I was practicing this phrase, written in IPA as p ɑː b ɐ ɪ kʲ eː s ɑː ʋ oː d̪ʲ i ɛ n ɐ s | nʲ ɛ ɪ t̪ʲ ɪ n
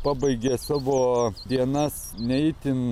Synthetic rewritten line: p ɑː b ɐ ɪ ɡʲ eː s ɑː ʋ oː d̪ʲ i ɛ n ɐ s | nʲ ɛ ɪ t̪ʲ ɪ n